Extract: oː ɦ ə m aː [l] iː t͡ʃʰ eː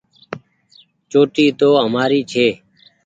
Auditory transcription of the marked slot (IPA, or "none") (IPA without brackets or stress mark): ɾ